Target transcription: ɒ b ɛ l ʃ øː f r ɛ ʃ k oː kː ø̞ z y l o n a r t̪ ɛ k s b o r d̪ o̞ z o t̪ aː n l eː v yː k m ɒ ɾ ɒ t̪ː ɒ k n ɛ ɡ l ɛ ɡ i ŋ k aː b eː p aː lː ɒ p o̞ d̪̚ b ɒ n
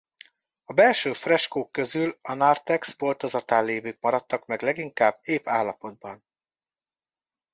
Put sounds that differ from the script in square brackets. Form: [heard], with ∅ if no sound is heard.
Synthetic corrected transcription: ɒ b ɛ l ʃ øː f r ɛ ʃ k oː kː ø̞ z y l [ɒ] n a r t̪ ɛ k s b o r [t̪] o̞ z [ɒ] t̪ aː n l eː v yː k m ɒ ɾ ɒ t̪ː ɒ k [m] ɛ ɡ l ɛ ɡ i ŋ k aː b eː p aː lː ɒ p o̞ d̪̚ b ɒ n